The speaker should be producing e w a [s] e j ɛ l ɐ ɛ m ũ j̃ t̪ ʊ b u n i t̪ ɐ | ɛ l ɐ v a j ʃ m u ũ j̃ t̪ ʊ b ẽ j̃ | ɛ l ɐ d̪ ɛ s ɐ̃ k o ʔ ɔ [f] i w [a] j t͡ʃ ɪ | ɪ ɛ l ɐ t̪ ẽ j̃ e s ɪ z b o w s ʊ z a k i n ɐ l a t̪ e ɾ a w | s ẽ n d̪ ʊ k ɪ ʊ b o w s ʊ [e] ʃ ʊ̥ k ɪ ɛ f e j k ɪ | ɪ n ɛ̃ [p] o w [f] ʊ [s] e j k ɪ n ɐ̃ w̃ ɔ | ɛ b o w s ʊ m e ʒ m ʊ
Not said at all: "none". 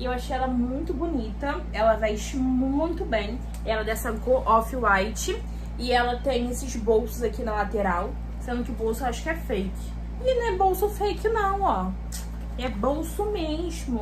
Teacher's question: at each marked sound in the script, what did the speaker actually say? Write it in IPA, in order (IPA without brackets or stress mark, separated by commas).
ʃ, f, a, a, b, s, f